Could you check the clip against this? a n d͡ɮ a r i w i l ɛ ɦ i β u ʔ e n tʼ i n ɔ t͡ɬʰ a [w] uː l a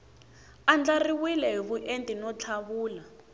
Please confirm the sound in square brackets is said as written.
no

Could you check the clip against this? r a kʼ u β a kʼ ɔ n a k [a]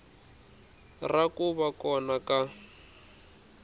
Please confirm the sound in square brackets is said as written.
yes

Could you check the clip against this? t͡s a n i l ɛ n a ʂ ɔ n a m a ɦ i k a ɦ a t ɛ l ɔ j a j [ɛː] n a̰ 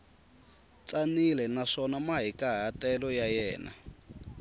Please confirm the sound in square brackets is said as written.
yes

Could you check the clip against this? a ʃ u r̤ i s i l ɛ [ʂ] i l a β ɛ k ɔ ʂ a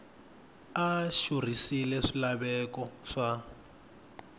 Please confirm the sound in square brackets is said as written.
yes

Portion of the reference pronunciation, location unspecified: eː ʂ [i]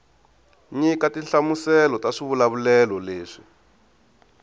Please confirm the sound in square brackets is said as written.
yes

